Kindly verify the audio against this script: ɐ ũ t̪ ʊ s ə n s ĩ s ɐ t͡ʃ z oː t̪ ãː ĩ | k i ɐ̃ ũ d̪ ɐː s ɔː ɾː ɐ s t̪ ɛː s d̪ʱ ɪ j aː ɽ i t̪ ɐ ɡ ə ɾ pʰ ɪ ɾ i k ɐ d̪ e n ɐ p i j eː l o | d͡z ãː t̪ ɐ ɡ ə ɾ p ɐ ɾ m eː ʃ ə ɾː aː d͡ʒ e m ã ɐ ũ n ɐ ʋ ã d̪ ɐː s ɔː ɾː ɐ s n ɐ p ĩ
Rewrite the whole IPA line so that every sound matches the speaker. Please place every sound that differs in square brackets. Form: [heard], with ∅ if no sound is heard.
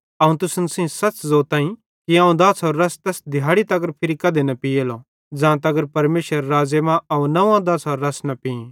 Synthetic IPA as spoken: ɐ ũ t̪ ʊ s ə n s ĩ s ɐ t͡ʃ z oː t̪ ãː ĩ | k i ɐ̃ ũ d̪ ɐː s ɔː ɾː ɐ s t̪ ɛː s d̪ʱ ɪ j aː ɽ i t̪ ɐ ɡ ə ɾ pʰ ɪ ɾ i k ɐ d̪ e n ɐ p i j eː l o | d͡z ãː t̪ ɐ ɡ ə ɾ p ɐ ɾ m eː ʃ ə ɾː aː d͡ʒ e m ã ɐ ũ n ɐ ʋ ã d̪ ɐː s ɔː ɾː ɐ s n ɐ p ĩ